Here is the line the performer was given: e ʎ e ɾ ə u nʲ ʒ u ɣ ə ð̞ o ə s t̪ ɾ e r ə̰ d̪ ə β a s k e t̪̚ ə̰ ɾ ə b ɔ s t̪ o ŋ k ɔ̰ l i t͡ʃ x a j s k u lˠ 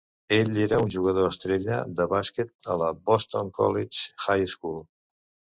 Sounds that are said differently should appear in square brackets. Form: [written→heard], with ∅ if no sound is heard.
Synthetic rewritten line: e ʎ e ɾ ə u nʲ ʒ u ɣ ə ð̞ o ə s t̪ ɾ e [r→ʎ] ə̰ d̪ ə β a s k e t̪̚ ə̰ [ɾ→l] ə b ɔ s t̪ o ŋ k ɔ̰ l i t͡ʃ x a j s k u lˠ